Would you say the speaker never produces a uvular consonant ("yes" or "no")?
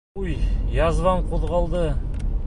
no